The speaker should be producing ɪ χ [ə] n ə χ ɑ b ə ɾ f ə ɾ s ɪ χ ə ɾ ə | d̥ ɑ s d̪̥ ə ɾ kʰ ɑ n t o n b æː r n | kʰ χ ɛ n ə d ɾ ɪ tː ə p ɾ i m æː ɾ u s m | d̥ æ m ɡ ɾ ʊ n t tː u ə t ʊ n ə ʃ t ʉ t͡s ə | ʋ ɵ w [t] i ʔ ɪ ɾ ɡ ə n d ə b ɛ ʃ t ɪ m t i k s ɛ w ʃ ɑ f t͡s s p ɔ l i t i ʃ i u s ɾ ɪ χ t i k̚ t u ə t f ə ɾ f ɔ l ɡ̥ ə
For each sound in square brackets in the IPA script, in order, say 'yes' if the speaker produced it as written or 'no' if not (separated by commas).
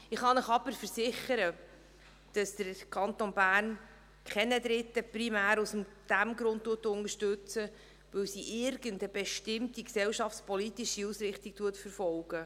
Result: no, no